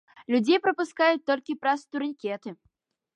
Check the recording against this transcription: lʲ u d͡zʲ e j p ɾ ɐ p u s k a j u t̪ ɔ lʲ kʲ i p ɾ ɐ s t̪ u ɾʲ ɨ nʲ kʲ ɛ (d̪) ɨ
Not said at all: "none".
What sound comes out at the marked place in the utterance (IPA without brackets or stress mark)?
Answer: t̪